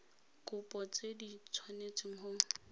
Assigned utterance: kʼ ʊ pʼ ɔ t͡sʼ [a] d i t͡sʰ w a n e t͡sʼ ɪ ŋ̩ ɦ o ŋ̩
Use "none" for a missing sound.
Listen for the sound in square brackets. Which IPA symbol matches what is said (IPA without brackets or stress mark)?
e